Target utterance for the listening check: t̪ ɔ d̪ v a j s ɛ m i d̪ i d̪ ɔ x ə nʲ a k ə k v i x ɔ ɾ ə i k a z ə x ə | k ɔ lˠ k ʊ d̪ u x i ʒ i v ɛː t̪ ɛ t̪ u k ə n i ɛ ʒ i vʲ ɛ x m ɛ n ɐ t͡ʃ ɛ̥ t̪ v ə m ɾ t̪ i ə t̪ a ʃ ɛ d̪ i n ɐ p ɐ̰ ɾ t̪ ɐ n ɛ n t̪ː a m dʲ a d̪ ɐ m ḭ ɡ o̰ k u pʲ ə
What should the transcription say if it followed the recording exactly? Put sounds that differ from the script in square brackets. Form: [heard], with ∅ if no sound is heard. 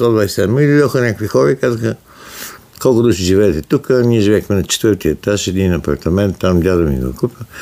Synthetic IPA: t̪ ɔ d̪ v a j s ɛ m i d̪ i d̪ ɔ x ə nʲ a k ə k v i x ɔ ɾ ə i k a z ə x ə | k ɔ lˠ k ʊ d̪ u [ʃ] i ʒ i v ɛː t̪ ɛ t̪ u k ə n i ɛ ʒ i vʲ ɛ x m ɛ n ɐ t͡ʃ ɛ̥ t̪ v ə [∅] ɾ t̪ i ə t̪ a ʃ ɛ d̪ i n ɐ p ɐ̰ ɾ t̪ ɐ [m] ɛ n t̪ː a m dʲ a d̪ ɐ m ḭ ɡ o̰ k u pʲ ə